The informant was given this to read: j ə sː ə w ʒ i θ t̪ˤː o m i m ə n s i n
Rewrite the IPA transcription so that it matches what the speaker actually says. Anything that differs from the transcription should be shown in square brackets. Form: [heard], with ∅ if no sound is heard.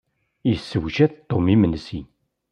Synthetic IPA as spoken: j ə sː ə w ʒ [æ] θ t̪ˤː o m i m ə n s i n